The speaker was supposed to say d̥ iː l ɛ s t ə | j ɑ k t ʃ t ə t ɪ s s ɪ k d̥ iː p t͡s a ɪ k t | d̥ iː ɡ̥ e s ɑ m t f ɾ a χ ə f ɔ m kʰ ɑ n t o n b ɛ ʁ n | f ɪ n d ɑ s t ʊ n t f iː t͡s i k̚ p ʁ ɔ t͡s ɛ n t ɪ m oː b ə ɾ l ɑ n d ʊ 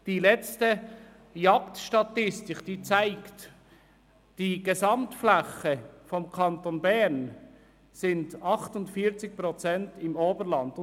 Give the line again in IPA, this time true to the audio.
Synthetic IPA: d̥ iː l ɛ t͡s t ə | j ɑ k t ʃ t ɑ t ɪ s t ɪ k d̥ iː t͡s a ɪ k t | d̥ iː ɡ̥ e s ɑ m t f l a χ ə f ɔ m kʰ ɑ n t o n b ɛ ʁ n | s ɪ n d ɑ χ t ʊ n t f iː t͡s ɪ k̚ p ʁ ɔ t͡s ɛ n t ɪ m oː b ə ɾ l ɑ n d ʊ

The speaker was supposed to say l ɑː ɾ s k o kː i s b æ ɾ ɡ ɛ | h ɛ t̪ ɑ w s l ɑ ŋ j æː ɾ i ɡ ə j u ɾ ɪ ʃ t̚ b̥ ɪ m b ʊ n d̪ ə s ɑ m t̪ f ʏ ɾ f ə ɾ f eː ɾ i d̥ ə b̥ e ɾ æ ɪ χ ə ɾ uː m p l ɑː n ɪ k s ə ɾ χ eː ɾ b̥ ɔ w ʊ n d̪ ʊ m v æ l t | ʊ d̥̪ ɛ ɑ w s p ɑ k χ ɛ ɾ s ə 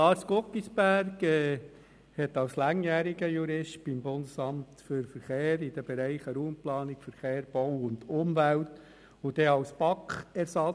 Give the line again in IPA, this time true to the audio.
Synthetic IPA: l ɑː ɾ s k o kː i s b æ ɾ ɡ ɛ | h ɛ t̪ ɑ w s l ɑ ŋ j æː ɾ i ɡ ə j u ɾ ɪ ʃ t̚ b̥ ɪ m b ʊ n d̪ ə s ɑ m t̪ f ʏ ɾ f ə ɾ χ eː ɾ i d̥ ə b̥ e ɾ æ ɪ χ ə ɾ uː m p l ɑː n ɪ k f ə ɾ χ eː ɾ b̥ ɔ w ʊ n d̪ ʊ m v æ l t | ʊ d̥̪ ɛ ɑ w s p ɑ k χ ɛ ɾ s ɑ

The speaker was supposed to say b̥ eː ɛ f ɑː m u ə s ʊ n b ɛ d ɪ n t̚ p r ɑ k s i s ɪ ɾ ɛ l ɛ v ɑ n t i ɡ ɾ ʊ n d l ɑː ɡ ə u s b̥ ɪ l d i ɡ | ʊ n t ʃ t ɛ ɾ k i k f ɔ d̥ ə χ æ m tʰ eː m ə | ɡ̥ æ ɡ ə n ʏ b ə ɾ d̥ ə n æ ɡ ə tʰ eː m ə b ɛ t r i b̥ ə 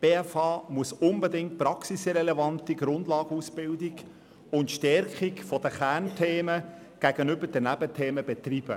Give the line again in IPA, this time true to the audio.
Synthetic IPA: b̥ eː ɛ f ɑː m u ə s ʊ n b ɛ d ɪ ŋ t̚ p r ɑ k s i s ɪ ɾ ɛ l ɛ v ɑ n t i ɡ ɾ ʊ n d l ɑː ɡ ə u s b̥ ɪ l d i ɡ | ʊ n t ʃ t ɛ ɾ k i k f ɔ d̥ ə χ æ n tʰ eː m ə | ɡ̥ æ ɡ ə n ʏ b ə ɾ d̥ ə n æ b ə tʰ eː m ə b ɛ t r i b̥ ə

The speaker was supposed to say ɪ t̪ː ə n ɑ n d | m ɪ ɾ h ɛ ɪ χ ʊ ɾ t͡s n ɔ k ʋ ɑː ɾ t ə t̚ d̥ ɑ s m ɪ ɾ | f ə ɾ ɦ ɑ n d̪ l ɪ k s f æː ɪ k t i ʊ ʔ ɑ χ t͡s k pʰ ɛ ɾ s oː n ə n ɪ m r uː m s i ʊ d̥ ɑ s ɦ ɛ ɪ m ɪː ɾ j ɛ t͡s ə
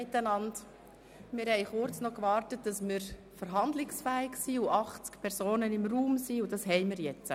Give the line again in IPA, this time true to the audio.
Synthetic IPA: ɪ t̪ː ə n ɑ n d | m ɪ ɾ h ɛ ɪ χ ʊ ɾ t͡s n ɔ k ʋ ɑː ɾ t ə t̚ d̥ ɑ s m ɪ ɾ | f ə ɾ ɦ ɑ n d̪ l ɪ k s f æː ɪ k s i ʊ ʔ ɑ χ t͡s k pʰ ɛ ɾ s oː n ə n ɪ m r uː m s i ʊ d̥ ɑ s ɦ ɛ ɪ m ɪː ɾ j ɛ t͡s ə

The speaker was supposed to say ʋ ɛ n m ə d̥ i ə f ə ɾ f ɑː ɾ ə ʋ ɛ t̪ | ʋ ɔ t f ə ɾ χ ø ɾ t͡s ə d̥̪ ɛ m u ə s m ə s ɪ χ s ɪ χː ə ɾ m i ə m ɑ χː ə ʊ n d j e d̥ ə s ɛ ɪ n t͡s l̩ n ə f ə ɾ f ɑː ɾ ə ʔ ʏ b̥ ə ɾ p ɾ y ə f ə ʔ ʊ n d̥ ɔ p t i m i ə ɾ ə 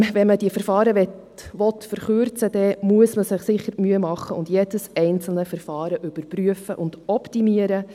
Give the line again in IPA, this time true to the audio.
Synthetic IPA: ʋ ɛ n m ə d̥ i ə f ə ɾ f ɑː ɾ ə ʋ ɛ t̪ | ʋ ɔ t f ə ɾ χ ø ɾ t͡s ə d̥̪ ɛ m u ə s m ə s ɪ χ s ɪ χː ə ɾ m y ə m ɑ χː ə ʊ n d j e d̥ ə s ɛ ɪ n t͡s l̩ n ə f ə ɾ f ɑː ɾ ə ʔ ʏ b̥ ə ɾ p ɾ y ə f ə ʔ ʊ n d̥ ɔ p t i m i ə ɾ ə

